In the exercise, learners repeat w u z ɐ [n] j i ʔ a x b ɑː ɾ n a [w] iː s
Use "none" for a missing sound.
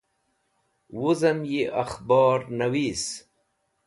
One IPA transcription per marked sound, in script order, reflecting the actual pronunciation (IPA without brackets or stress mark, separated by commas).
m, w